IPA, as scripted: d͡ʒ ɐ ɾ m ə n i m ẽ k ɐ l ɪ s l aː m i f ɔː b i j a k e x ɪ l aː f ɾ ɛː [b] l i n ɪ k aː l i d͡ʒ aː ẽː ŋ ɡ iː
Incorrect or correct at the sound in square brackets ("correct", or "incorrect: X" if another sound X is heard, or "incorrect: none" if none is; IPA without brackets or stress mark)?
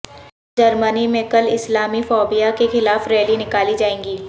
incorrect: none